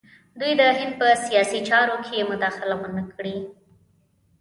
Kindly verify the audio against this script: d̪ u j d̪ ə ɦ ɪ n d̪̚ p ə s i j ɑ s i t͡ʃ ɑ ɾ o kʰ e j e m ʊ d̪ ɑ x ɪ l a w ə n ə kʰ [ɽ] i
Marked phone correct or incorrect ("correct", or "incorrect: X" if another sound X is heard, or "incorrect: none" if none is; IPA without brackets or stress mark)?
correct